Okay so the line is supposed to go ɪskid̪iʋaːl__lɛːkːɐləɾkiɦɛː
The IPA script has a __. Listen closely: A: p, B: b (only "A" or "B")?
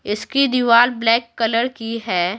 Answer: B